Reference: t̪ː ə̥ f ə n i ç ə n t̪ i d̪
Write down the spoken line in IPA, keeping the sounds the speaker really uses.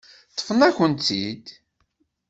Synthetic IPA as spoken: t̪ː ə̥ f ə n æ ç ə n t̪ i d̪